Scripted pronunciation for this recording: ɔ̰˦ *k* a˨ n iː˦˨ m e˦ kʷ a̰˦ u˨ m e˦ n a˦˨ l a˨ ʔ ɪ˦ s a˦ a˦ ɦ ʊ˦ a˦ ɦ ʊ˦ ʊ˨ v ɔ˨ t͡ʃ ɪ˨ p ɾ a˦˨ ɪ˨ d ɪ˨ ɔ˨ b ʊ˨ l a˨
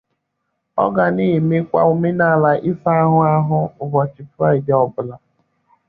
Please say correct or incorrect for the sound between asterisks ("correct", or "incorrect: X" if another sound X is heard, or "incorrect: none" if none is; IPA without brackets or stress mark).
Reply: incorrect: ɡ